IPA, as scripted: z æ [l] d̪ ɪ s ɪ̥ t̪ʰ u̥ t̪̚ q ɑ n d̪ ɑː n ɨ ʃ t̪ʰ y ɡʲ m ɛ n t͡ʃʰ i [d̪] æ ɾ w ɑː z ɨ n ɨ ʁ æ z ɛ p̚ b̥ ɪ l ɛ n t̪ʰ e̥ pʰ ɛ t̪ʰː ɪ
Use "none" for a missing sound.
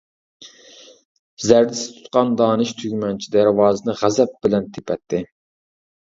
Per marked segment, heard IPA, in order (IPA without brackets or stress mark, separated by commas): ɾ, d̪